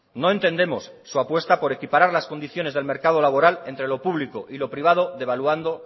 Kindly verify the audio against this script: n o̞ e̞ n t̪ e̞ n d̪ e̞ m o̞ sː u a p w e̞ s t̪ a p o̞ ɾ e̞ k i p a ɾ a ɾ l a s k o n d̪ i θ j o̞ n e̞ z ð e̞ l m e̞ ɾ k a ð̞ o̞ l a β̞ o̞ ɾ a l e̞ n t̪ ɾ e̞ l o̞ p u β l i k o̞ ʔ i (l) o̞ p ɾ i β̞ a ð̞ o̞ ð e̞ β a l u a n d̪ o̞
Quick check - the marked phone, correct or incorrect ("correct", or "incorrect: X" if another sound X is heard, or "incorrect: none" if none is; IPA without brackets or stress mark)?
correct